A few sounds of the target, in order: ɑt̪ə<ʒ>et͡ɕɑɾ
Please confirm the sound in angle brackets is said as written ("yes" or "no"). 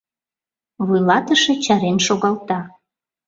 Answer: no